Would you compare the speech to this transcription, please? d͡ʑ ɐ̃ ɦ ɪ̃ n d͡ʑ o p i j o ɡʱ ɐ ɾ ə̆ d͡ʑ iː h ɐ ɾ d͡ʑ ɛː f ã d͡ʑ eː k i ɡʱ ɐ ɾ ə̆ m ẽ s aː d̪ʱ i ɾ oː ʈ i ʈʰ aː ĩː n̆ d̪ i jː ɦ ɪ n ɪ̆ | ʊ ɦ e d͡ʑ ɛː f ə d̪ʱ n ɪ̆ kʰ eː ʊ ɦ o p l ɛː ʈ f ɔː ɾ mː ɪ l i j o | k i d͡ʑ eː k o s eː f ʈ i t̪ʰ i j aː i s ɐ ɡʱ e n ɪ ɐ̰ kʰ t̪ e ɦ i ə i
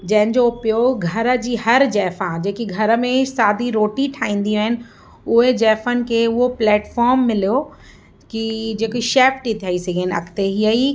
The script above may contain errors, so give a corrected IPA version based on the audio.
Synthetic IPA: d͡ʑ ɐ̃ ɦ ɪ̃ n d͡ʑ o p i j o ɡʱ ɐ ɾ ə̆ d͡ʑ iː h ɐ ɾ d͡ʑ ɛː f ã d͡ʑ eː k i ɡʱ ɐ ɾ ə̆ m ẽ s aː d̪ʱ i ɾ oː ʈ i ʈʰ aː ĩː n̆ d̪ i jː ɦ ɪ n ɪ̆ | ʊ ɦ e d͡ʑ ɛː f ə n ɪ̆ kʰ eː ʊ ɦ o p l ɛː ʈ f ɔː ɾ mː ɪ l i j o | k i d͡ʑ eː k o ʃ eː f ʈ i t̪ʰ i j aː i s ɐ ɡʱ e n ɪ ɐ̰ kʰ t̪ e ɦ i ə i